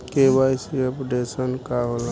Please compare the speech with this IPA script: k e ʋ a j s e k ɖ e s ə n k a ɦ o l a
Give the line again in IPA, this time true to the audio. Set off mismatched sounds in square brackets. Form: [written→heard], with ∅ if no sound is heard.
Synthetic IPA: k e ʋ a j s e [k→p] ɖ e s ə n k a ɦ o l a